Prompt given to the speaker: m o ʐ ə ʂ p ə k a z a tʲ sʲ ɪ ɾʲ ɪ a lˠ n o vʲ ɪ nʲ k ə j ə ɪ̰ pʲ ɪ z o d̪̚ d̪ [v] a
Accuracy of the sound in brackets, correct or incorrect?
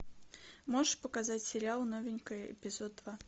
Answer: correct